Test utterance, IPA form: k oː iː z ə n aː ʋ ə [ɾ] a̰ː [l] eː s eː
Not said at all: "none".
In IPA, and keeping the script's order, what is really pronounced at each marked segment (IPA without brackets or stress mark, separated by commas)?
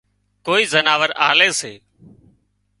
ɾ, l